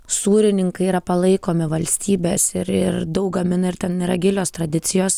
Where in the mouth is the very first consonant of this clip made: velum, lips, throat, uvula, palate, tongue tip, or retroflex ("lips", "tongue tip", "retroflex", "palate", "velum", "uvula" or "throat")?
tongue tip